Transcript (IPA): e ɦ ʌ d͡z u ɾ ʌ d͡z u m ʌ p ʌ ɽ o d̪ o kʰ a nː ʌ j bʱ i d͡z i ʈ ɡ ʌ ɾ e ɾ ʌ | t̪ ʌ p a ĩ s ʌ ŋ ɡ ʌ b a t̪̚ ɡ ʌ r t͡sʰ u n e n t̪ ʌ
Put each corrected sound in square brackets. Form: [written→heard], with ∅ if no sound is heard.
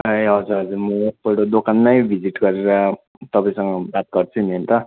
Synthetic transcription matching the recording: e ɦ ʌ d͡z u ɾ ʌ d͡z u m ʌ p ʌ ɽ o d̪ o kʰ a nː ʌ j bʱ i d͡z i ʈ ɡ ʌ ɾ e ɾ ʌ | t̪ ʌ p a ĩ s ʌ ŋ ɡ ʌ b a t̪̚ ɡ ʌ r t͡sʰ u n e n t̪ ʌ

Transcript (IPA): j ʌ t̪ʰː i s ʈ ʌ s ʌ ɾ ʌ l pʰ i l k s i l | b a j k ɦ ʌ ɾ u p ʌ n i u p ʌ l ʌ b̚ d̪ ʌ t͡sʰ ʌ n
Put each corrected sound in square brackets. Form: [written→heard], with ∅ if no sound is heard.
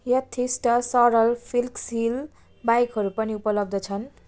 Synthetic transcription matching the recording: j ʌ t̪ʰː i s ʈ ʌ s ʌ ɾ ʌ l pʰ i l k s i l | b a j k ɦ ʌ ɾ u p ʌ n i u p ʌ l ʌ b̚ d̪ ʌ t͡sʰ ʌ n

